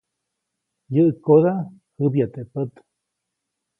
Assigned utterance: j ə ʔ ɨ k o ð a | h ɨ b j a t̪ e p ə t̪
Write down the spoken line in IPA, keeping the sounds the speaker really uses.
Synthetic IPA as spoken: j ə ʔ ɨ k o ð a | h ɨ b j a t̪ e p ə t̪

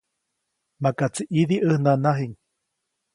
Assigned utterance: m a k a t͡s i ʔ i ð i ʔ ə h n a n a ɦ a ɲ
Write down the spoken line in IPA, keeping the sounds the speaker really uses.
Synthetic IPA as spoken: m a k a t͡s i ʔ i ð i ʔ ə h n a n a ɦ i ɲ

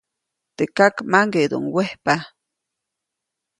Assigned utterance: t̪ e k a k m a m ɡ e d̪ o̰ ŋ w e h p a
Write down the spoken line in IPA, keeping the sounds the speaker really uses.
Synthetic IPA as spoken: t̪ e k a k m a ŋ ɡ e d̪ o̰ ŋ w e h p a

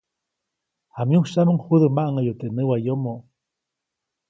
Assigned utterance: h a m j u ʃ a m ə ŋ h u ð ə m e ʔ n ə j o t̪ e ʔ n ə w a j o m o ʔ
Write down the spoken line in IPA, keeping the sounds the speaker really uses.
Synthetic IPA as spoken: h a m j u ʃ a m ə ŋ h u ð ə m a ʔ ŋ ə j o t̪ e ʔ n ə w a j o m o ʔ

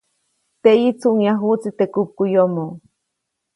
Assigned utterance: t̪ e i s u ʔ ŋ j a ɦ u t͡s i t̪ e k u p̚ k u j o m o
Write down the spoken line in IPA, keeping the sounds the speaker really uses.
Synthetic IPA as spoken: t̪ e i t͡s u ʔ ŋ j a ɦ u t͡s i t̪ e k u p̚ k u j o m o

